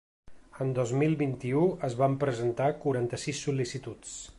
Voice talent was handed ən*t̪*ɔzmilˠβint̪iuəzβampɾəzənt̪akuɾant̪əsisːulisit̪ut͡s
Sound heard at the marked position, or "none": d̪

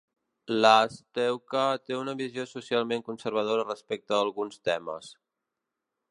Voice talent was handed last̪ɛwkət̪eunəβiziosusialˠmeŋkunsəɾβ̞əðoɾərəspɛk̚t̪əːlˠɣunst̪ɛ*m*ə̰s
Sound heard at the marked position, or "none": m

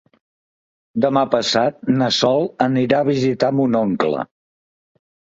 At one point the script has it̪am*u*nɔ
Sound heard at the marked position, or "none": u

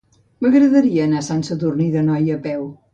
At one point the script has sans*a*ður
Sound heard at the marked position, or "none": ə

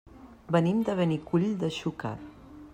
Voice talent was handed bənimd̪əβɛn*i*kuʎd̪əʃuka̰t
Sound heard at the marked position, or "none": i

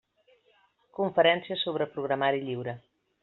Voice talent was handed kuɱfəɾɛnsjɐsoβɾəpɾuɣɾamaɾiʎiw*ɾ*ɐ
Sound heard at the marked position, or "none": ɾ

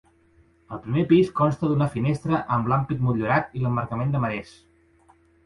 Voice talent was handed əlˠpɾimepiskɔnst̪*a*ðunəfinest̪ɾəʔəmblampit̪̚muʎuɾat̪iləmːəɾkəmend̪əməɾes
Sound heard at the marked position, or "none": ə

